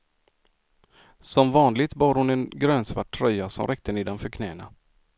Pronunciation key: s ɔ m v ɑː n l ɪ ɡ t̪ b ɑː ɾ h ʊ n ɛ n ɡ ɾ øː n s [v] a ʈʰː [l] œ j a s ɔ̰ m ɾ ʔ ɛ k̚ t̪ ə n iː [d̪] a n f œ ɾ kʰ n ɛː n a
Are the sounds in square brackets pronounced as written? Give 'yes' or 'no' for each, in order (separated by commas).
yes, no, yes